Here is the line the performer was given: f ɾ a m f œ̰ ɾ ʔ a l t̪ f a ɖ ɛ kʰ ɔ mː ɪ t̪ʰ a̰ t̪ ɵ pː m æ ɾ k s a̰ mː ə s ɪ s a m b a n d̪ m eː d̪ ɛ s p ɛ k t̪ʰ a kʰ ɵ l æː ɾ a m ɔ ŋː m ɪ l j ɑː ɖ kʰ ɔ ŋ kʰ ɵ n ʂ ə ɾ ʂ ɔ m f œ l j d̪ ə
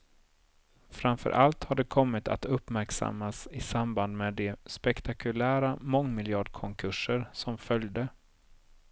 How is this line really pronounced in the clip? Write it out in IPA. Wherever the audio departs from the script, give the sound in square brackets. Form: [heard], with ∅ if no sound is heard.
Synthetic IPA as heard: f ɾ a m f œ̰ ɾ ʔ a l t̪ [h] a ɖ ɛ kʰ ɔ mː ɪ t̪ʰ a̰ t̪ ɵ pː m æ ɾ k s a̰ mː [a] s ɪ s a m b a n d̪ m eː d̪ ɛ s p ɛ k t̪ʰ a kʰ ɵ l æː ɾ a m ɔ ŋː m ɪ l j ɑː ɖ kʰ ɔ ŋ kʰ ɵ [∅] ʂ ə ɾ [s] ɔ m f œ l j d̪ ə

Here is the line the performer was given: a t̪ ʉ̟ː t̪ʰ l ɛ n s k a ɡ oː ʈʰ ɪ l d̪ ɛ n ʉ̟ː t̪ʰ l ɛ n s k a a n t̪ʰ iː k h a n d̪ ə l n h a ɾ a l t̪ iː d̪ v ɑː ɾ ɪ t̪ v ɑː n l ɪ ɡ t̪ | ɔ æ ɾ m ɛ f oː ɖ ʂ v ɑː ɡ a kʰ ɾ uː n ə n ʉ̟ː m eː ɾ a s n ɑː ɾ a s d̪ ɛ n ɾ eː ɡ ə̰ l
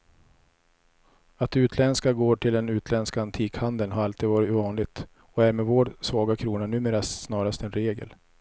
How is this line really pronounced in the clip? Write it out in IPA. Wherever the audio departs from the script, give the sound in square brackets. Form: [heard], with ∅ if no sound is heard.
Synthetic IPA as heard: a t̪ ʉ̟ː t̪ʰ l ɛ n s k a ɡ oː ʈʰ ɪ l d̪ ɛ n ʉ̟ː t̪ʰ l ɛ n s k a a n t̪ʰ iː k h a n d̪ ə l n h a ɾ a l t̪ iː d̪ v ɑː ɾ ɪ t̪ v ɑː n l ɪ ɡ t̪ | ɔ æ ɾ m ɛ [v] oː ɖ [s] v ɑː ɡ a kʰ ɾ uː n [a] n ʉ̟ː m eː ɾ a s n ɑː ɾ a s [t̪] ɛ n ɾ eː ɡ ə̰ l

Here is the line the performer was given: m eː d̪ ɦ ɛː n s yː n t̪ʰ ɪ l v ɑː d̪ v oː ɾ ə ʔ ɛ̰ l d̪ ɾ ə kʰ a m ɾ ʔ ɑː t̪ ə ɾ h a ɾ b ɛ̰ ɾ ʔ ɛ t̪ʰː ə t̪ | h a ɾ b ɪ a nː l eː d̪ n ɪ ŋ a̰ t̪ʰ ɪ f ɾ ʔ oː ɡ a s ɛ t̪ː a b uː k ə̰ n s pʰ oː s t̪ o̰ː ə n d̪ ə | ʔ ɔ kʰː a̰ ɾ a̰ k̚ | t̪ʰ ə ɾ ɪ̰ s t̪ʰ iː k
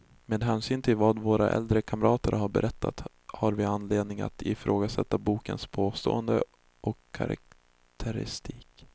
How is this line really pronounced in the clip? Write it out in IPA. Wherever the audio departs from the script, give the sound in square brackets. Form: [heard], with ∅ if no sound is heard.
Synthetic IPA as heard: m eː d̪ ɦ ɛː n s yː n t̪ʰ ɪ l v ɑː d̪ v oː ɾ [a] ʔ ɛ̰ l d̪ ɾ ə kʰ a m ɾ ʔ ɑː t̪ ə ɾ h a ɾ b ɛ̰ ɾ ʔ ɛ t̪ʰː [a] t̪ | h a ɾ [v] ɪ a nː l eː d̪ n ɪ ŋ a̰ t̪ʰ ɪ f ɾ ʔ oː ɡ a s ɛ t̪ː a b uː k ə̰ n s pʰ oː s t̪ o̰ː ə n d̪ ə | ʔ ɔ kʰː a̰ ɾ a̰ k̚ | t̪ʰ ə ɾ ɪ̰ s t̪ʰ iː k

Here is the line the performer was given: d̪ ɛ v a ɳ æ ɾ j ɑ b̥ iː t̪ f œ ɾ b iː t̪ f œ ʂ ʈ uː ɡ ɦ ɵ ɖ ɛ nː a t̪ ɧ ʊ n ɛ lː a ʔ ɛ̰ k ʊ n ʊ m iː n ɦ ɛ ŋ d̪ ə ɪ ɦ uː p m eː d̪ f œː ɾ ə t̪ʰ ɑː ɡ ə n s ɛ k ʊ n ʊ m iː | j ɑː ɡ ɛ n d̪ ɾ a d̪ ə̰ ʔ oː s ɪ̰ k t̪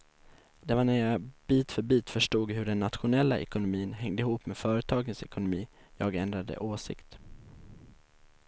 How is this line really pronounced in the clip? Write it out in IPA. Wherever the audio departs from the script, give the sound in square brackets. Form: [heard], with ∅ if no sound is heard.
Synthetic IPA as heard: d̪ ɛ v a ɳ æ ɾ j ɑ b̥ iː t̪ f œ ɾ b iː t̪ f œ ʂ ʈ uː ɡ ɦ ɵ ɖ ɛ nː a t̪ ɧ ʊ n ɛ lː a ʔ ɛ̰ k ʊ n ʊ m iː n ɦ ɛ ŋ d̪ ə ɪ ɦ uː p m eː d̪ f œː ɾ ə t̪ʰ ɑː ɡ ə n s ɛ k ʊ n ʊ m iː | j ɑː ɡ ɛ n d̪ ɾ a d̪ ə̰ ʔ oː s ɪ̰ k t̪

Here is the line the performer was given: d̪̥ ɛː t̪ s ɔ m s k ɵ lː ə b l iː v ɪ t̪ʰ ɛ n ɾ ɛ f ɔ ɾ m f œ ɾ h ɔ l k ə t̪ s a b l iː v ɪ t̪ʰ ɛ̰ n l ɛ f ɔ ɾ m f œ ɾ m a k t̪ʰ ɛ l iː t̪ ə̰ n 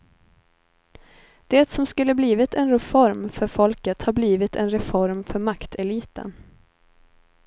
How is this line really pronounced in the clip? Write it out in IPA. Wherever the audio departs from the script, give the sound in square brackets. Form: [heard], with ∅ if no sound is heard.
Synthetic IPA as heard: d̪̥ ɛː t̪ s ɔ m s k ɵ lː ə b l iː v ɪ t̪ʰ ɛ n ɾ ɛ f ɔ ɾ m f œ ɾ [f] ɔ l k ə t̪ [h] a b l iː v ɪ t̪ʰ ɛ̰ n [ɾ] ɛ f ɔ ɾ m f œ ɾ m a k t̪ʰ ɛ l iː t̪ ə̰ n

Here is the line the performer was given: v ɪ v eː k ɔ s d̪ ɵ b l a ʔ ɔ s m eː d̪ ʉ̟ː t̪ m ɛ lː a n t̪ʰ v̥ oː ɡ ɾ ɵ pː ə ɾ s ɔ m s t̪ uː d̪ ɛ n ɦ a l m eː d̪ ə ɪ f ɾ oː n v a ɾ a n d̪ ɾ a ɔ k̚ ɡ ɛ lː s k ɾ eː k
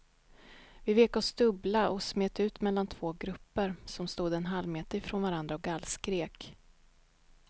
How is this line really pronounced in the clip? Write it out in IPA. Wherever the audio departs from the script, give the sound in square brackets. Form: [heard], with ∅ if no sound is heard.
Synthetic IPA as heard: v ɪ v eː k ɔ s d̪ ɵ b l a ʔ ɔ s m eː [t̪] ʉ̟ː t̪ m ɛ lː a n t̪ʰ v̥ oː ɡ ɾ ɵ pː ə ɾ s ɔ m s t̪ uː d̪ ɛ n ɦ a l m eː [t̪] ə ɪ f ɾ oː n v a ɾ a n d̪ ɾ a ɔ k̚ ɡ [a] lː s k ɾ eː k

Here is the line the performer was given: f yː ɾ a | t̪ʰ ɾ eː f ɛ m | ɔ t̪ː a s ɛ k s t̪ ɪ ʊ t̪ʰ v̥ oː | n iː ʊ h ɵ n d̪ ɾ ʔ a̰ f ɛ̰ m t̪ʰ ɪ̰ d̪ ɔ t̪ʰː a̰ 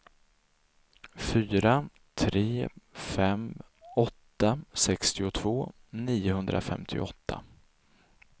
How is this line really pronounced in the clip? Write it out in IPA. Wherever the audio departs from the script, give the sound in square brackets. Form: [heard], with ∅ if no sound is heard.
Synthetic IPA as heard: f yː ɾ a | t̪ʰ ɾ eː f ɛ m | ɔ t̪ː a s ɛ k s t̪ ɪ ʊ t̪ʰ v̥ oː | n iː ʊ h ɵ n d̪ ɾ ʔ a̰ f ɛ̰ m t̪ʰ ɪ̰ [∅] ɔ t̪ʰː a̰

